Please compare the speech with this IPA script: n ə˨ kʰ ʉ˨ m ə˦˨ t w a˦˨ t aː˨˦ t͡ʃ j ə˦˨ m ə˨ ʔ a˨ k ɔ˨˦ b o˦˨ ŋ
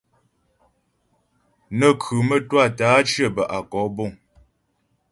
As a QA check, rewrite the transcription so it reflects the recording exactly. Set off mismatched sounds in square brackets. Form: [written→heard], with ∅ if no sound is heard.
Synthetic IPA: n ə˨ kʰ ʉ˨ m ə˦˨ t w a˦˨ t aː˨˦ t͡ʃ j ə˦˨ [m→b] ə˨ ʔ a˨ k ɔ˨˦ b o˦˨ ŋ

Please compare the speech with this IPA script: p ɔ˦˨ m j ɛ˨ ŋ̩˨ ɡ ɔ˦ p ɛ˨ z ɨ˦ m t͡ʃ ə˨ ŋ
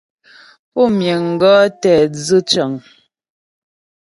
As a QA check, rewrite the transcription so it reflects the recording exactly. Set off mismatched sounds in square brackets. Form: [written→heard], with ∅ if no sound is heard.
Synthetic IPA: p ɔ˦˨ m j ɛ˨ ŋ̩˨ ɡ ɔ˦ [p→t] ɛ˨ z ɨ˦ [m→∅] t͡ʃ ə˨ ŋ

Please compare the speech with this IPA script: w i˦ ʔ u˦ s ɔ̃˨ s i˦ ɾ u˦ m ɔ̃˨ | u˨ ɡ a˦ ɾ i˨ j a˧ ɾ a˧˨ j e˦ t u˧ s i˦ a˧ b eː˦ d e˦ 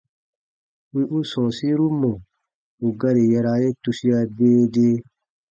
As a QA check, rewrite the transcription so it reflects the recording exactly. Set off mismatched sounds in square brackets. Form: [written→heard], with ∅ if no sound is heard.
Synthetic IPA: w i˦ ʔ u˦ s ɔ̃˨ s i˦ ɾ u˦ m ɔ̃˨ | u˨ ɡ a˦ ɾ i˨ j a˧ ɾ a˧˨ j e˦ t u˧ s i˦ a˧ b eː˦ d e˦

